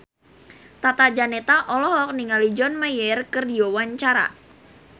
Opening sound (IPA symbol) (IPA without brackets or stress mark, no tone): t̪